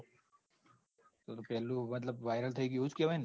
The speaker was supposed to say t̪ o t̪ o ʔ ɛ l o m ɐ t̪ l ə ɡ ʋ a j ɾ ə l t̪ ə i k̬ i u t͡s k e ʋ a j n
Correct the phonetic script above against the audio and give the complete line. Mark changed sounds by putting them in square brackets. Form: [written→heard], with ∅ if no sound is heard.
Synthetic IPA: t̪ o t̪ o [ʔ→p] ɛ l [o→u] m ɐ t̪ l ə [ɡ→b] ʋ a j ɾ ə l [t̪→t̪ʰ] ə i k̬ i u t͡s k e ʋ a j n